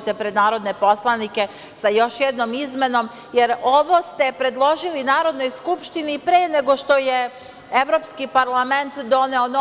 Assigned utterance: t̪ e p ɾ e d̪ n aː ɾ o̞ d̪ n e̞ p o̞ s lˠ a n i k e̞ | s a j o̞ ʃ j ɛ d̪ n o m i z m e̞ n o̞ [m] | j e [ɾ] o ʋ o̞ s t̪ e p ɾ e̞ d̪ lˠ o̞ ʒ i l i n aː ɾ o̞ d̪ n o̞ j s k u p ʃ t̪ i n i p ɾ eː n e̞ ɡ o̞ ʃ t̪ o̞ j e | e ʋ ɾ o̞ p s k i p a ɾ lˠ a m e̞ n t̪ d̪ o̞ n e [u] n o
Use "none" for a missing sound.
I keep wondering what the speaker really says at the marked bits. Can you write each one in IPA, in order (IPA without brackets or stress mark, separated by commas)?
m, ɾ, o